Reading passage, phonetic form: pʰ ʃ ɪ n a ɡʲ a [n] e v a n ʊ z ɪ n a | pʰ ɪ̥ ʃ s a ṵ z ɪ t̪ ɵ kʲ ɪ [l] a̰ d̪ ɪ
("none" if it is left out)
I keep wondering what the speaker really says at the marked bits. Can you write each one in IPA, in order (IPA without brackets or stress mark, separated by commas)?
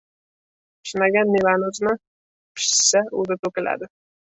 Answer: nː, l